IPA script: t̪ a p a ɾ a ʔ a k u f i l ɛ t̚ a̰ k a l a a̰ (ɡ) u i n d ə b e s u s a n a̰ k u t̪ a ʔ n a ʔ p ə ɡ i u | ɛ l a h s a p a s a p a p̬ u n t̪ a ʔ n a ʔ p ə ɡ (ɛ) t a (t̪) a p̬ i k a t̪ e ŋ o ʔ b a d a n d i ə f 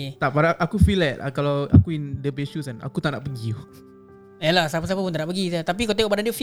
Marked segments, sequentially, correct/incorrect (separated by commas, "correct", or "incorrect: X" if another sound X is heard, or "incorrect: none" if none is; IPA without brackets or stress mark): incorrect: k, incorrect: i, correct